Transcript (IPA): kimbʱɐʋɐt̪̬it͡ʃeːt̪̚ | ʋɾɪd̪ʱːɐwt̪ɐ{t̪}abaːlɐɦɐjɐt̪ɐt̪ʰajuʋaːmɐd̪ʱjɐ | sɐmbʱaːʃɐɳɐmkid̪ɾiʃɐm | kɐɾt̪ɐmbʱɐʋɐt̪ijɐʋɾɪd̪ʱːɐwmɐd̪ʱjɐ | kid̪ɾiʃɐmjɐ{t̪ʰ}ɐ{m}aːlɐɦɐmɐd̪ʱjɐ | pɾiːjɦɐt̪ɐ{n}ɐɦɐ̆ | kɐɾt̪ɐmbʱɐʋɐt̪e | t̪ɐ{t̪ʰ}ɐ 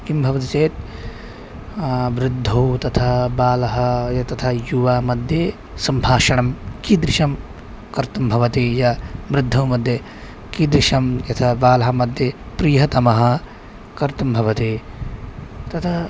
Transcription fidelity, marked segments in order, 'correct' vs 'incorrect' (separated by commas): incorrect, correct, incorrect, incorrect, correct